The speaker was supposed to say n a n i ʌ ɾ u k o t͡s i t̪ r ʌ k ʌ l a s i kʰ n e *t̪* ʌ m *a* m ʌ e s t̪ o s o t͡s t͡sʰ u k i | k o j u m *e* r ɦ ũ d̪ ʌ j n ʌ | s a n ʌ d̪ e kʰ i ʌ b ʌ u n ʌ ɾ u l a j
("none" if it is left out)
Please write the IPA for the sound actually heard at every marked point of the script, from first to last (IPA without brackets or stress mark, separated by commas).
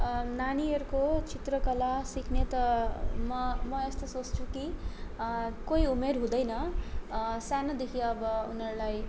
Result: t̪, ʌ, e